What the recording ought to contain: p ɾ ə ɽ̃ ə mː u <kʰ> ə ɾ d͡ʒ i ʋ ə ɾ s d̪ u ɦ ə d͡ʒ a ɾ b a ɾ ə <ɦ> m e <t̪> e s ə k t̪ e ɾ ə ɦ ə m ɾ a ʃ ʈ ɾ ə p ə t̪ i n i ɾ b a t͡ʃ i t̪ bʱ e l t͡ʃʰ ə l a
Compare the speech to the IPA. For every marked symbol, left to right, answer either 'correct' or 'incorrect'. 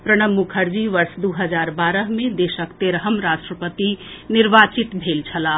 correct, correct, incorrect

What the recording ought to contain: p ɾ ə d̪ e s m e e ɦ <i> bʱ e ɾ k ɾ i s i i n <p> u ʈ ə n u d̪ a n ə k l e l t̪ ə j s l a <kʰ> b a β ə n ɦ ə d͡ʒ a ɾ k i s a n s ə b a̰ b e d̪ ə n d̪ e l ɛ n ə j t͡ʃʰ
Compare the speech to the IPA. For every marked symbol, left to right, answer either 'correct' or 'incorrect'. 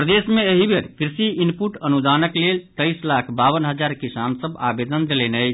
correct, correct, correct

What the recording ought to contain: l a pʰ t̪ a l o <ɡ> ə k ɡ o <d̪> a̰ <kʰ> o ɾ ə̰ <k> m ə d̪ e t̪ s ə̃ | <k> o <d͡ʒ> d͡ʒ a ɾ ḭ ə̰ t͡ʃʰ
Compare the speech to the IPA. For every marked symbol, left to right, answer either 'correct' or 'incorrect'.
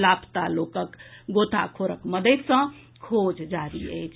incorrect, incorrect, correct, correct, incorrect, correct

